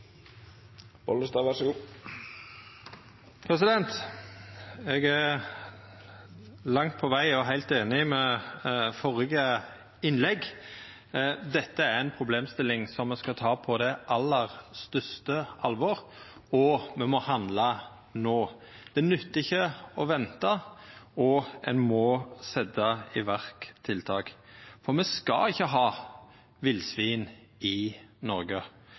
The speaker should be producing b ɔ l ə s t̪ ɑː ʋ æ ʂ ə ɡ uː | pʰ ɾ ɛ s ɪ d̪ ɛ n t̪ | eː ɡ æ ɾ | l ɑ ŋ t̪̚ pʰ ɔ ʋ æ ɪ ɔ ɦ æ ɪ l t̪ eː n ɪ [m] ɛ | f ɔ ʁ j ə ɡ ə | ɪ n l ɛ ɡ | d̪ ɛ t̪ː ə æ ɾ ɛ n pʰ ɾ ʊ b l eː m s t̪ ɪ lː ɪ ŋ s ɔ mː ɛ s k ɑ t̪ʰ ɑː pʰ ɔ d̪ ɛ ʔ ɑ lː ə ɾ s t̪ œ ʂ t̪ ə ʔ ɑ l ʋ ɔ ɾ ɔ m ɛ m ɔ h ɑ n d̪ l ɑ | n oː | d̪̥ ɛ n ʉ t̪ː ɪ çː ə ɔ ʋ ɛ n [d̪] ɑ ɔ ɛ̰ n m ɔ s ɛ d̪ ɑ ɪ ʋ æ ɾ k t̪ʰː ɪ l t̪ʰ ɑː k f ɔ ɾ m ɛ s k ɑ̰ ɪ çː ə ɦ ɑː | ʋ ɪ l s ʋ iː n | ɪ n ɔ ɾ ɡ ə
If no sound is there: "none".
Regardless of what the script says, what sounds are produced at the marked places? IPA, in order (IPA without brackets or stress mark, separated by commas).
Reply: m, t̪